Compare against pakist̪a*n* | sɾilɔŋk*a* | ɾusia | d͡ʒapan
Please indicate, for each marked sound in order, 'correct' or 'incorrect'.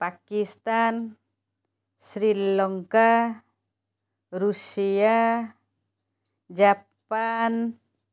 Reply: correct, correct

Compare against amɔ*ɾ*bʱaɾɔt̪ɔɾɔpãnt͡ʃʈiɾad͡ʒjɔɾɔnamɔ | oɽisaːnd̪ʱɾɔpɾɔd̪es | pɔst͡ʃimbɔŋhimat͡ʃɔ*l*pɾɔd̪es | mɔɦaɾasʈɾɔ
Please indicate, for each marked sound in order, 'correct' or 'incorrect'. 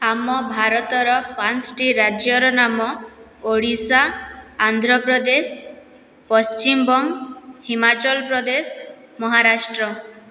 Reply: incorrect, correct

